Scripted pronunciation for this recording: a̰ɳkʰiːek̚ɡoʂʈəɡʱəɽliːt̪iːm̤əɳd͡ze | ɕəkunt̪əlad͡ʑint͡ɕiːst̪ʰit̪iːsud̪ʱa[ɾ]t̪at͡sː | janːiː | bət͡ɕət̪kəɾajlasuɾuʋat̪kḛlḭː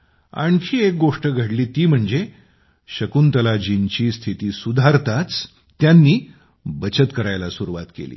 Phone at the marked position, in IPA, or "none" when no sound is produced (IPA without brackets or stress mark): ɾ